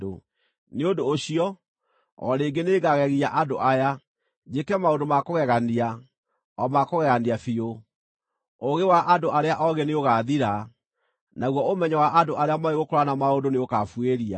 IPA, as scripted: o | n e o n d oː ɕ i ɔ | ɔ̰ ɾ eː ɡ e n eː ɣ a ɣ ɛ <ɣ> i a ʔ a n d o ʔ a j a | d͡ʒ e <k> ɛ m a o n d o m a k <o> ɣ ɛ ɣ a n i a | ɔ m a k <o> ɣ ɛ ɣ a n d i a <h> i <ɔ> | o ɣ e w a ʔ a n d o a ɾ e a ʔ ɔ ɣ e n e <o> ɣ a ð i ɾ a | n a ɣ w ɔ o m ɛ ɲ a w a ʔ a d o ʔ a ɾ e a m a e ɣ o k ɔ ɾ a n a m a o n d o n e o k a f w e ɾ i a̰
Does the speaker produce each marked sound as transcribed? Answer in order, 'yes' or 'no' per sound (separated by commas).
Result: yes, yes, yes, yes, no, no, yes